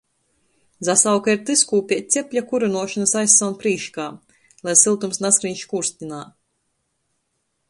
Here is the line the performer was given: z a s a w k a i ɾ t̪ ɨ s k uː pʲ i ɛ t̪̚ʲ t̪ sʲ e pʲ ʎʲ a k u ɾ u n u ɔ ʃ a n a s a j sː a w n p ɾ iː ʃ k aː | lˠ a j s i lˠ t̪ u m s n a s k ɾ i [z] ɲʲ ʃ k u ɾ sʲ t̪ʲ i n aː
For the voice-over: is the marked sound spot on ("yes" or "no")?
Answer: no